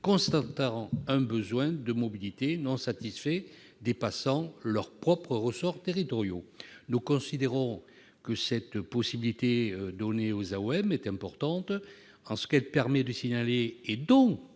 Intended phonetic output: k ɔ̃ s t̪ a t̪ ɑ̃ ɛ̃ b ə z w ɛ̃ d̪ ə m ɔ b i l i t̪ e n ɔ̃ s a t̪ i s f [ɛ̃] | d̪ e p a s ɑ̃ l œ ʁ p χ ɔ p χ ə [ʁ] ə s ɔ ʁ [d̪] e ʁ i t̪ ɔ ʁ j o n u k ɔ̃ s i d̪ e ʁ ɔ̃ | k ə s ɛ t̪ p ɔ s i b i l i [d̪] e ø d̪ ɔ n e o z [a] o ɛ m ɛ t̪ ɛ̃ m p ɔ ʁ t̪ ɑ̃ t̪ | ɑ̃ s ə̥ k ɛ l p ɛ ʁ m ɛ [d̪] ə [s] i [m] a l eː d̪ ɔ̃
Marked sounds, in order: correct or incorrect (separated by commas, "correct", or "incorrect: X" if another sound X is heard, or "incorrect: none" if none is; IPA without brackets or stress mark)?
incorrect: ɛ, correct, incorrect: t̪, incorrect: t̪, correct, correct, correct, incorrect: ɲ